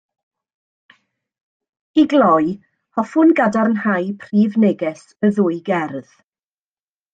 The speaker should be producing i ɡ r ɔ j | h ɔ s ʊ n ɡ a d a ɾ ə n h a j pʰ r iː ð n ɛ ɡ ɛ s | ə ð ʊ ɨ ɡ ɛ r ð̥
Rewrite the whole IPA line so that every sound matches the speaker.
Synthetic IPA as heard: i ɡ l ɔ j | h ɔ f ʊ n ɡ a d a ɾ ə n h a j pʰ r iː v n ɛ ɡ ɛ s | ə ð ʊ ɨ ɡ ɛ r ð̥